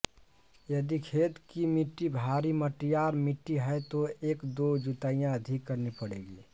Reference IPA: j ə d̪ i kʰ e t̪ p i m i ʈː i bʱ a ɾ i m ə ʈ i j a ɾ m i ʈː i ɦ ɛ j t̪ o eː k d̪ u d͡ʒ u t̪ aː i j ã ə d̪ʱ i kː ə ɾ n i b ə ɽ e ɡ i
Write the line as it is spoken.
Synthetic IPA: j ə d̪ i kʰ e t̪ k i m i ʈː i bʱ a ɾ i m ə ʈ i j a ɾ m i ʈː i ɦ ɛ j t̪ o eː k d̪ o d͡ʒ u t̪ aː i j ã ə d̪ʱ i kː ə ɾ n i p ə ɽ e ɡ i